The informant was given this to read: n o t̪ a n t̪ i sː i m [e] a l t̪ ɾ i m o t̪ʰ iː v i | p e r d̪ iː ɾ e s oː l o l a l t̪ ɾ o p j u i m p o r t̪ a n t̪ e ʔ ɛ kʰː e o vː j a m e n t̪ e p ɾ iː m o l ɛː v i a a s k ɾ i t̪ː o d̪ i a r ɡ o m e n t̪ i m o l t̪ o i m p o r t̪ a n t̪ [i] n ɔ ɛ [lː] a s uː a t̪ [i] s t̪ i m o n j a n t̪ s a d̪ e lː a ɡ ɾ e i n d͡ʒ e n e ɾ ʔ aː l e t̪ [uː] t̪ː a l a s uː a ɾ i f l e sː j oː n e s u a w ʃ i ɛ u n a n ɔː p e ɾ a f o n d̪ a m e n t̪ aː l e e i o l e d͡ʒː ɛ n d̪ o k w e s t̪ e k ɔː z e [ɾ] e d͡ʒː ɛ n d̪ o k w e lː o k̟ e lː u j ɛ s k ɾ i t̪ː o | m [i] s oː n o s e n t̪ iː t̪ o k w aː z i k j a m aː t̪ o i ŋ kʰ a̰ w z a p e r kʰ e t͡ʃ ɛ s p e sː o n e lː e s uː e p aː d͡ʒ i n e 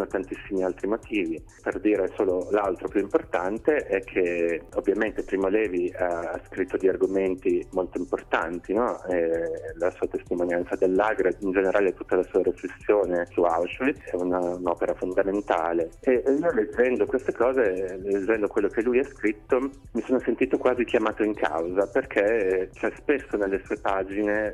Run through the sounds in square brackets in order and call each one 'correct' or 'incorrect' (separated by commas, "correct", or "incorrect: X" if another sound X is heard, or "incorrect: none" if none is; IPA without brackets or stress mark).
incorrect: i, correct, incorrect: l, incorrect: e, incorrect: u, incorrect: l, correct